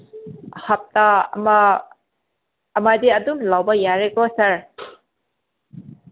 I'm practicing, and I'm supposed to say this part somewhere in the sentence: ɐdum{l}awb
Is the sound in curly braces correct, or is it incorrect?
correct